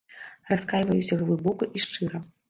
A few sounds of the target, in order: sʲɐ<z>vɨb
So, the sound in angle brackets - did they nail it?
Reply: no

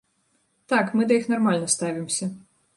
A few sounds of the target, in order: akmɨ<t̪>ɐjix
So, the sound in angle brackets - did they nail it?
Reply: no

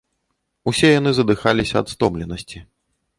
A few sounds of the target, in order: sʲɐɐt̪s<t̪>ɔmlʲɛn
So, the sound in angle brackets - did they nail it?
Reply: yes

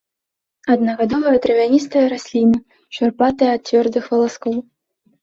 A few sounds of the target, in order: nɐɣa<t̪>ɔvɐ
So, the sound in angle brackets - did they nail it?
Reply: no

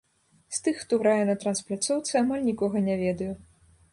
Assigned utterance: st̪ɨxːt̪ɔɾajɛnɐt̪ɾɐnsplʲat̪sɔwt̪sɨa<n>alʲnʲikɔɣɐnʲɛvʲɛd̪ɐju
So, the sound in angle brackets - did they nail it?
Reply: no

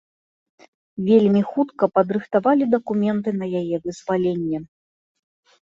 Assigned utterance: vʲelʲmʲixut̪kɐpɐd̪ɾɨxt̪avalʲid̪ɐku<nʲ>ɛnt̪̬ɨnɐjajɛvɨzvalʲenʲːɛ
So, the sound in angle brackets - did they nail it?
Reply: no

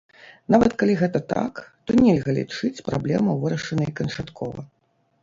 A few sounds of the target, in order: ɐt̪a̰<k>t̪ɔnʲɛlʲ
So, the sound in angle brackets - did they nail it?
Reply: yes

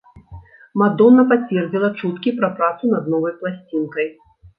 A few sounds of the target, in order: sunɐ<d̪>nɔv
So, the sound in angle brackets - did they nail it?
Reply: yes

